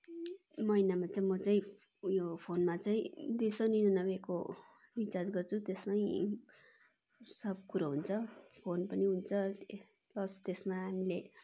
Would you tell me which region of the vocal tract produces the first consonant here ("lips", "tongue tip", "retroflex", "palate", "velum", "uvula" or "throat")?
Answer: lips